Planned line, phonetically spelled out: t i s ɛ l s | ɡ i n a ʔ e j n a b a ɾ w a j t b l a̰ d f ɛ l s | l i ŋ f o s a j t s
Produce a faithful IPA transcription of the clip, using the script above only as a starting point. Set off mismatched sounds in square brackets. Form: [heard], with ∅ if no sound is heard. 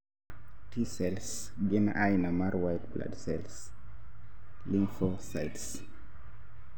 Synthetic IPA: t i s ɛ l s | ɡ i n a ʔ [a] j n a [m] a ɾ w a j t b l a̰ d [s] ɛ l s | l i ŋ f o s a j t s